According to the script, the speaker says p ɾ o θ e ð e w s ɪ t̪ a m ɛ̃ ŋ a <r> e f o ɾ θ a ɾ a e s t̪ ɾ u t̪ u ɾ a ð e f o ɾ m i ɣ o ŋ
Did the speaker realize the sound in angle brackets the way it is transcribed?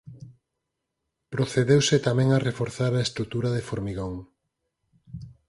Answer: yes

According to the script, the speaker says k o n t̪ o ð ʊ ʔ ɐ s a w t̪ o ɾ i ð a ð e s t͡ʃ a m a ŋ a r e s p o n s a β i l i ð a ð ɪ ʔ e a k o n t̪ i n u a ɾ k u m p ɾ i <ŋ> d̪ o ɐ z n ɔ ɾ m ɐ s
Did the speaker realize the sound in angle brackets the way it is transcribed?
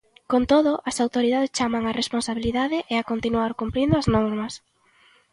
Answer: no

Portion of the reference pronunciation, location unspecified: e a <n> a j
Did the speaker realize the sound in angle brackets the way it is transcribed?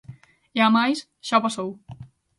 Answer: no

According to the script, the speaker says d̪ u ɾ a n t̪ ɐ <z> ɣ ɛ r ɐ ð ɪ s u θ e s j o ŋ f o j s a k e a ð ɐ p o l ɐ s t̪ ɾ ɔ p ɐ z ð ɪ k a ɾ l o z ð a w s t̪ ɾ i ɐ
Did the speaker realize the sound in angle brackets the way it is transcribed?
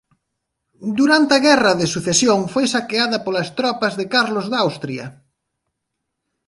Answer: no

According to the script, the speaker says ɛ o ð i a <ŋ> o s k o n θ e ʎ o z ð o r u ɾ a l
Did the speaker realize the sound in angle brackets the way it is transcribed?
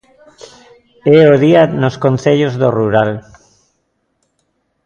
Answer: no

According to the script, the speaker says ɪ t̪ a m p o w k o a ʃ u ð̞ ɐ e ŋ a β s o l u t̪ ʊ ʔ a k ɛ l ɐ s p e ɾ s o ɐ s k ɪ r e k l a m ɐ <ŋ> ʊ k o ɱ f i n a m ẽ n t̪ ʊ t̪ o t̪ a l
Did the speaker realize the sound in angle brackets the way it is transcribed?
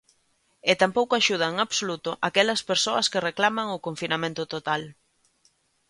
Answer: yes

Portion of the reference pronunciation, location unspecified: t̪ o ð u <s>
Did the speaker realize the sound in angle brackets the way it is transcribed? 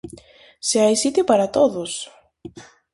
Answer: yes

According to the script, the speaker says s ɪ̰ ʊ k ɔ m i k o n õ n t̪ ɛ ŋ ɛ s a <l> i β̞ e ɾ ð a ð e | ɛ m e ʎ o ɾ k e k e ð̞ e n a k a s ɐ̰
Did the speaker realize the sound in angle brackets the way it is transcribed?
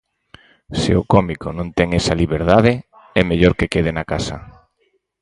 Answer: yes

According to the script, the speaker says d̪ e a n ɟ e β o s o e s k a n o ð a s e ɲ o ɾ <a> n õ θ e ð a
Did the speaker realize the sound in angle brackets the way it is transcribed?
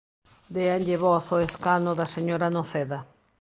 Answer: yes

